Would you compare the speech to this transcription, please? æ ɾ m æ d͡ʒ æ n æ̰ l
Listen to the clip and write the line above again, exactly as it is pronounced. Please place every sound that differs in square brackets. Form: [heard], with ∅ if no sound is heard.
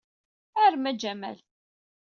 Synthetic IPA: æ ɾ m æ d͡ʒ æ [m] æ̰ l